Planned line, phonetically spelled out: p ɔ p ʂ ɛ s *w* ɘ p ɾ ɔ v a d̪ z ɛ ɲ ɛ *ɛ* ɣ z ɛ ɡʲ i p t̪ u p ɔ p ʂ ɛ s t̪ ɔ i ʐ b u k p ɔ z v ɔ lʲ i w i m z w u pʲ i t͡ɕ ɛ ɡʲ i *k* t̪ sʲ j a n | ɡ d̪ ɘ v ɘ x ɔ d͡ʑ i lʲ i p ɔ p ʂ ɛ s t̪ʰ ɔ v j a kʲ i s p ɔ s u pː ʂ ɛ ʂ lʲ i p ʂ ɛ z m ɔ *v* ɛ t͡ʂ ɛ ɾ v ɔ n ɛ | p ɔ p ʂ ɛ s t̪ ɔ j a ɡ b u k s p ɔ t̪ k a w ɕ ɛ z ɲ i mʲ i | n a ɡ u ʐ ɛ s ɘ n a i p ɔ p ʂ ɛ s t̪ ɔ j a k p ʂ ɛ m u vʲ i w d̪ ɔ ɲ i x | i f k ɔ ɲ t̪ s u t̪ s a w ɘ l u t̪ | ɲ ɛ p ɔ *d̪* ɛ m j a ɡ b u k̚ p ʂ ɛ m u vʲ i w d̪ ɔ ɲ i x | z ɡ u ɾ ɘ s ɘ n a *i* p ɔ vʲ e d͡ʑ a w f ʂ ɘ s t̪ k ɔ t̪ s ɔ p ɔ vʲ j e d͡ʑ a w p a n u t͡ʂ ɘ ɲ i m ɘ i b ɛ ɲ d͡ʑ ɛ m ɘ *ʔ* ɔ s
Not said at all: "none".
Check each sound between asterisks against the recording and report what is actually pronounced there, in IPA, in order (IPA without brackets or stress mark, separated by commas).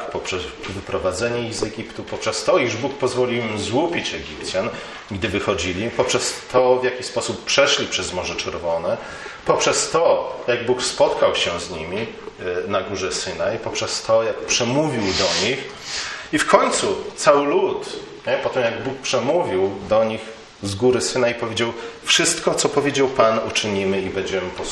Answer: v, i, p, ʐ, t̪, i, p